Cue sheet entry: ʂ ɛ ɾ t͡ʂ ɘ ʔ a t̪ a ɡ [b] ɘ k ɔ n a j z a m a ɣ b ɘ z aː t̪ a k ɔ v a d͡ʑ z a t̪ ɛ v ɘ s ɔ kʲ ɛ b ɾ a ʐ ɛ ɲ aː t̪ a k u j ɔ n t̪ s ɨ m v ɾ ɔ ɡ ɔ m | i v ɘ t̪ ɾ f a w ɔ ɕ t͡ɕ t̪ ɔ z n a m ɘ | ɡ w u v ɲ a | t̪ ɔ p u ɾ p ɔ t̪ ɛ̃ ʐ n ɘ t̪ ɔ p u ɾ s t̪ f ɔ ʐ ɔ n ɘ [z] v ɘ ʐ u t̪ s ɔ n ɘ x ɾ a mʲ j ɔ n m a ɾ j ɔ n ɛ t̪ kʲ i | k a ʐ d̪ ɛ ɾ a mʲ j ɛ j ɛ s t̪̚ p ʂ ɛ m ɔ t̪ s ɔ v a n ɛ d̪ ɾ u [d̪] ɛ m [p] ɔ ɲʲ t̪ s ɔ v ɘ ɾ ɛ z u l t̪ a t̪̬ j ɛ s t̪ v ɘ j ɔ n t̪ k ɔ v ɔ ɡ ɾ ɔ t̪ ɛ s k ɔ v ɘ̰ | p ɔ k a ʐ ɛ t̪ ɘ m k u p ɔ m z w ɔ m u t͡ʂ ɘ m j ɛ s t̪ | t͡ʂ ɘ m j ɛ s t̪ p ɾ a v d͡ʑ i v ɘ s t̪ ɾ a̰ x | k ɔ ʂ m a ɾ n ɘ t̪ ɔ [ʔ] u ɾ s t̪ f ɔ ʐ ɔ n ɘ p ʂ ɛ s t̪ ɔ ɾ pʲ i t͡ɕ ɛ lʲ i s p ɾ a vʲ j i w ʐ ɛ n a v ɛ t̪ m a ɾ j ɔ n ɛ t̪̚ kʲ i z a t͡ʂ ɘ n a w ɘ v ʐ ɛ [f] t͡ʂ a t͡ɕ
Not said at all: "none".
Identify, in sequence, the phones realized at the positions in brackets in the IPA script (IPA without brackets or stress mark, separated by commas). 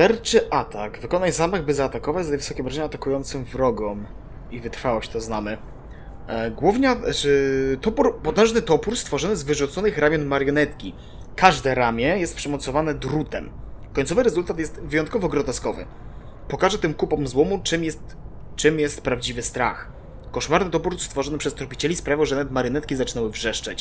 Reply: v, z, t̪, k, p, ʂ